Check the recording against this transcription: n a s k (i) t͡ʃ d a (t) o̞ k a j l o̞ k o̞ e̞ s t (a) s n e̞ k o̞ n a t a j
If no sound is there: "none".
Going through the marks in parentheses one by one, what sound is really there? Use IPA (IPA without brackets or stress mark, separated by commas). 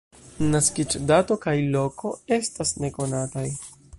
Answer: i, t, a